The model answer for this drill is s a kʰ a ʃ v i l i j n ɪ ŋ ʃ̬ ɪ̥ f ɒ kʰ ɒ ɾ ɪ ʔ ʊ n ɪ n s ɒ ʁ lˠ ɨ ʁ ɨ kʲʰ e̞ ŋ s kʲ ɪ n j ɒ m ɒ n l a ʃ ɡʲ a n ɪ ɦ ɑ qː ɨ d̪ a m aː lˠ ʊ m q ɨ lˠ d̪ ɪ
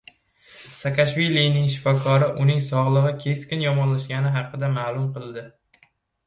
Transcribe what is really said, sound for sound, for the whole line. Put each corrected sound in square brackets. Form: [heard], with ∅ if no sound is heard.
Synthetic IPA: s a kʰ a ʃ v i l i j n ɪ ŋ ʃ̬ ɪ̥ f ɒ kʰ ɒ ɾ ɪ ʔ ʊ n ɪ [ŋ] s ɒ ʁ lˠ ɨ ʁ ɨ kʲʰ e̞ [∅] s kʲ ɪ n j ɒ m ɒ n l a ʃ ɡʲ a n ɪ ɦ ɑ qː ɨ d̪ a m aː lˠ ʊ m q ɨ lˠ d̪ ɪ